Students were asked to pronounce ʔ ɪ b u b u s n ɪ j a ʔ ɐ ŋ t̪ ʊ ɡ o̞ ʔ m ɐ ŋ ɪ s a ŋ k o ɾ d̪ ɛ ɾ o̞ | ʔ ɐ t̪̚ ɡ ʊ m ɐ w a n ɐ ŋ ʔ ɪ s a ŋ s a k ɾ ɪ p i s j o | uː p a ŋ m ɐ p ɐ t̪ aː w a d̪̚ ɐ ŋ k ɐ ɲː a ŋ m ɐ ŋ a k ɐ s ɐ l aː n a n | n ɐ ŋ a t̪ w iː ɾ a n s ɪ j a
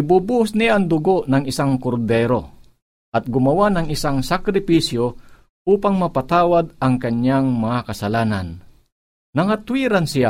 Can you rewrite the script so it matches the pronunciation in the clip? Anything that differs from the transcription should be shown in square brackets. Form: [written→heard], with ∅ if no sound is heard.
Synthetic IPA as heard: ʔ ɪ b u b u s n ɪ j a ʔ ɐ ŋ [t̪→d̪] ʊ ɡ o̞ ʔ [m→n] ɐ ŋ ɪ s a ŋ k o ɾ d̪ ɛ ɾ o̞ | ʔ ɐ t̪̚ ɡ ʊ m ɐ w a n ɐ ŋ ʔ ɪ s a ŋ s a k ɾ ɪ p i s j o | uː p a ŋ m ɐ p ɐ t̪ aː w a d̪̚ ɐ ŋ k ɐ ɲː a ŋ m ɐ ŋ a k ɐ s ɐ l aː n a n | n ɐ ŋ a t̪ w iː ɾ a n s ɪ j a